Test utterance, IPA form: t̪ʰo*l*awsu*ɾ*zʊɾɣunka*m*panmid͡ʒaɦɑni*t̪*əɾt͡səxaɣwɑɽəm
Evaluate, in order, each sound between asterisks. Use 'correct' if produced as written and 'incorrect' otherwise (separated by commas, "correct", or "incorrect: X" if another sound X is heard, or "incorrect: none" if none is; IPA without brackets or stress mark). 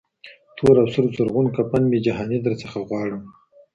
incorrect: ɾ, correct, incorrect: none, incorrect: d̪